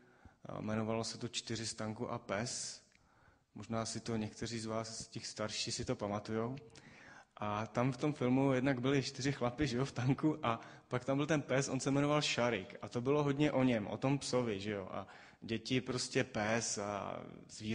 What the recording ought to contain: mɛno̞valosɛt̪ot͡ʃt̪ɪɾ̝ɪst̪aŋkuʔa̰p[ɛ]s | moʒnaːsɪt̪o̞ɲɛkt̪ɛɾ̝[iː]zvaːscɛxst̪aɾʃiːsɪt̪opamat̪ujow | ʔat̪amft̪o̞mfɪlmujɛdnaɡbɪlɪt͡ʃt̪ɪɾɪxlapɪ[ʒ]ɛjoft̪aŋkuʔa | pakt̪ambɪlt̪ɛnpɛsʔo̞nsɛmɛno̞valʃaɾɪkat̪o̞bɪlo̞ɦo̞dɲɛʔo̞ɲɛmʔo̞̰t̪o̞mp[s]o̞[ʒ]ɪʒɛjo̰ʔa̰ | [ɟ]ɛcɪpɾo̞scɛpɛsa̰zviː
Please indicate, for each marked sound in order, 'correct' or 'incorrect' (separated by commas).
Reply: correct, correct, correct, correct, incorrect, correct